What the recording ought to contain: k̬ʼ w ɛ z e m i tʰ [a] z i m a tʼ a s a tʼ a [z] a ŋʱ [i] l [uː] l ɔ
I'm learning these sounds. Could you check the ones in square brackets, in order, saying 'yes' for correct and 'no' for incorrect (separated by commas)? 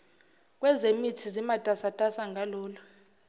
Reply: no, no, no, no